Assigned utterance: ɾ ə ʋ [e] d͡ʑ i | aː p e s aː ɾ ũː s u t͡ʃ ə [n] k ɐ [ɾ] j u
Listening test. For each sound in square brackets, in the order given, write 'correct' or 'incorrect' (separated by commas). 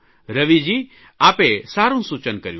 incorrect, correct, correct